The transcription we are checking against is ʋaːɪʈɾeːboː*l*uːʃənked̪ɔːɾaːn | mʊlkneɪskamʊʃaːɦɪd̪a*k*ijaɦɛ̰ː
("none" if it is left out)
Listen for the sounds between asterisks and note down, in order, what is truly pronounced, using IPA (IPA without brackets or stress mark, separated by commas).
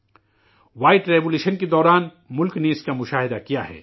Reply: l, k